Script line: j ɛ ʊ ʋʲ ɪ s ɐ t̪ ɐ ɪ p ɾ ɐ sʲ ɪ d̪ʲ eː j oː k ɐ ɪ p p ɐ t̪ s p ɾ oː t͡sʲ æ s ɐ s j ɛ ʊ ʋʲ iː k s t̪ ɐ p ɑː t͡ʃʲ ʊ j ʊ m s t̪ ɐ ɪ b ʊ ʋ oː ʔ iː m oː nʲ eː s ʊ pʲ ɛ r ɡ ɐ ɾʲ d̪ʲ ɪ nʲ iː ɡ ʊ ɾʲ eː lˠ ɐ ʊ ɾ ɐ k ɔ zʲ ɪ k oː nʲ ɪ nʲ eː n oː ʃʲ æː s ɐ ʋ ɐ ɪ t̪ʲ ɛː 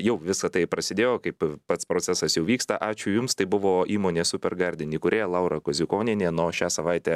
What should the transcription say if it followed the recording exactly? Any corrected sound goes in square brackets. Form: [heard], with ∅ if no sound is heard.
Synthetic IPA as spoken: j ɛ ʊ ʋʲ ɪ s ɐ t̪ ɐ ɪ p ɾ ɐ sʲ ɪ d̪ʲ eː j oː k ɐ ɪ p p ɐ t̪ s p ɾ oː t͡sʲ æ s ɐ s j ɛ ʊ ʋʲ iː k s t̪ ɐ [ʔ] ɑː t͡ʃʲ ʊ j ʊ m s t̪ ɐ ɪ b ʊ ʋ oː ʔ iː m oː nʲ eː s ʊ pʲ ɛ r ɡ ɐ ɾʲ d̪ʲ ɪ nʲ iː [k] ʊ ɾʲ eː lˠ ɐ ʊ ɾ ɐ k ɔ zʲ ɪ k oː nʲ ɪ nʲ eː n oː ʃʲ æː s ɐ ʋ ɐ ɪ t̪ʲ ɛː